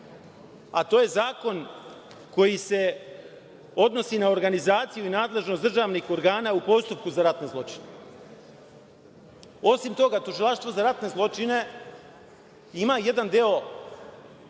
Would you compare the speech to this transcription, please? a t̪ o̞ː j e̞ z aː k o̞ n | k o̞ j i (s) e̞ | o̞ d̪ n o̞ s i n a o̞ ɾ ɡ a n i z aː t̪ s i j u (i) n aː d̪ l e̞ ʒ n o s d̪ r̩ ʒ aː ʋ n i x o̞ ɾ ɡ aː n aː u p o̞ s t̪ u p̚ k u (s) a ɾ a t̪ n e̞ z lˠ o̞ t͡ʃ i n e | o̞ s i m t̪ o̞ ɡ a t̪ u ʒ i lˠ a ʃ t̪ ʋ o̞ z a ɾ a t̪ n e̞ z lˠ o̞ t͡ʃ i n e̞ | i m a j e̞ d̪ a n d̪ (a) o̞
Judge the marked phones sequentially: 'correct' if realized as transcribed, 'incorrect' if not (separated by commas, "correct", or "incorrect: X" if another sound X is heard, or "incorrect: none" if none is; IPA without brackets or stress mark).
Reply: correct, correct, incorrect: z, incorrect: e